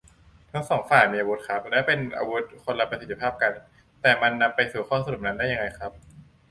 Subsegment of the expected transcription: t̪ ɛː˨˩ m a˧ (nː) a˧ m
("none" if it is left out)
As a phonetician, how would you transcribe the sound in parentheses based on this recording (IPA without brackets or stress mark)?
nː